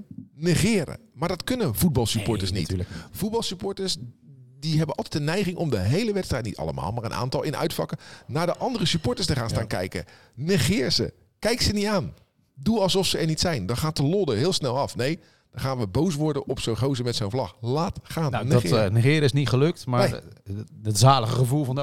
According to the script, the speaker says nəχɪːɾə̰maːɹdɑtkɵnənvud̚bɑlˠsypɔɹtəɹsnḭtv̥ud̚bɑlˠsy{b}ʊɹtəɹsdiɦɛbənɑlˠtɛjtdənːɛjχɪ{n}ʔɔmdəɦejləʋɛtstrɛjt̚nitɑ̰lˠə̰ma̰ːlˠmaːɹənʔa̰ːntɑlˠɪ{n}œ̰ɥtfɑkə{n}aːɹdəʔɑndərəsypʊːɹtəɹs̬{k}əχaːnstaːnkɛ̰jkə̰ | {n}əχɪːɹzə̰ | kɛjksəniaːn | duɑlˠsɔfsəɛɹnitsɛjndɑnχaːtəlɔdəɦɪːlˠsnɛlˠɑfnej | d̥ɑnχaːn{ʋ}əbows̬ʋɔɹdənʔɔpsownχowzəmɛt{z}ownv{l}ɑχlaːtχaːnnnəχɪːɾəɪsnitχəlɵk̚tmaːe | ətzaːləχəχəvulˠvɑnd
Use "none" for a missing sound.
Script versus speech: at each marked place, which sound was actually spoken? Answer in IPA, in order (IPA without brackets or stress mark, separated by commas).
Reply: p, ŋ, n, n, t, n, ʋ, s, l